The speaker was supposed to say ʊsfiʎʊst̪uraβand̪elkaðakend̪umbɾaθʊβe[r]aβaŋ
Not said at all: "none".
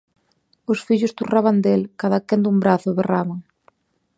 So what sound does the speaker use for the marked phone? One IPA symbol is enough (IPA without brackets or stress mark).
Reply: r